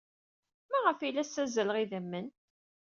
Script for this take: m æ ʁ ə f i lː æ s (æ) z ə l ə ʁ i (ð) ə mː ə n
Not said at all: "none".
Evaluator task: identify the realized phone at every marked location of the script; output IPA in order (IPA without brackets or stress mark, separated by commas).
æ, ð